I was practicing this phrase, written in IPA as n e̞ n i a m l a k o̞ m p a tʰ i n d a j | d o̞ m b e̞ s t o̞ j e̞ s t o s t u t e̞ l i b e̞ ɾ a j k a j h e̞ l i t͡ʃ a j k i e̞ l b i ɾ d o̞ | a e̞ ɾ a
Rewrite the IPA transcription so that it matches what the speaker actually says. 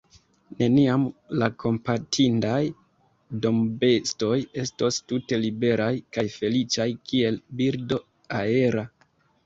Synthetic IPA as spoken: n e̞ n i a m l a k o̞ m p a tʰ i n d a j | d o̞ m b e̞ s t o̞ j e̞ s t o s t u t e̞ l i b e̞ ɾ a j k a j f e̞ l i t͡ʃ a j k i e̞ l b i ɾ d o̞ | a e̞ ɾ a